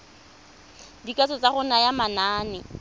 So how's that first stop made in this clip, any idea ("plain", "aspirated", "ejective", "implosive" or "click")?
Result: plain